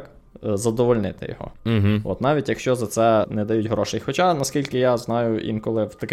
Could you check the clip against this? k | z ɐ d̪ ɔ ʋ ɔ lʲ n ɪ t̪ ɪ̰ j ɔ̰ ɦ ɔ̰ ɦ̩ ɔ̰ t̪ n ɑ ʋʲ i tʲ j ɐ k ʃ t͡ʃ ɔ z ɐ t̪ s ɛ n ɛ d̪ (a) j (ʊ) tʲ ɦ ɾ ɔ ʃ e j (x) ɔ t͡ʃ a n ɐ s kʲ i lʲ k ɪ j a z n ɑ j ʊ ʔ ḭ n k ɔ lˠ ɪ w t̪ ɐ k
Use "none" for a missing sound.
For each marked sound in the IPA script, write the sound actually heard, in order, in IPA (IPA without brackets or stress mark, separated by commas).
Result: ɐ, u, x